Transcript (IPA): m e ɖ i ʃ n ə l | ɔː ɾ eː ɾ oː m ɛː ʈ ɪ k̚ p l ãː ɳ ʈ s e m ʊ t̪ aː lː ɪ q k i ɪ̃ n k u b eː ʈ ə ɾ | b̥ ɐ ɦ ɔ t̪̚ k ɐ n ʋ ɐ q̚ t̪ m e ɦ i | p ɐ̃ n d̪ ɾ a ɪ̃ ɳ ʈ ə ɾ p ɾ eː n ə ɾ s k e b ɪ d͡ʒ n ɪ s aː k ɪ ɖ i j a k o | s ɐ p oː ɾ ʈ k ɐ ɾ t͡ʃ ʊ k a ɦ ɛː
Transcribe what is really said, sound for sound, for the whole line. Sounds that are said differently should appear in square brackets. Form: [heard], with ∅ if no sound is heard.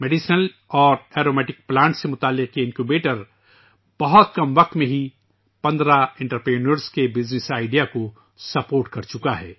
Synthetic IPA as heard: m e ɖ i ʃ n ə l | ɔː ɾ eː ɾ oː m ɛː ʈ ɪ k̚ p l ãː ɳ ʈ s e m ʊ t̪ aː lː ɪ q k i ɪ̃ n k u b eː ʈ ə ɾ | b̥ ɐ ɦ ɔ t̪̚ k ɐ [m] ʋ ɐ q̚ t̪ m [ẽ] ɦ i | p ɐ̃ n d̪ ɾ a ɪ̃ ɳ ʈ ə ɾ p ɾ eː n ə ɾ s k e b ɪ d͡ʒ n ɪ s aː [∅] ɪ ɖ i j a k o | s ɐ p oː ɾ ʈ k ɐ ɾ t͡ʃ ʊ k a ɦ ɛː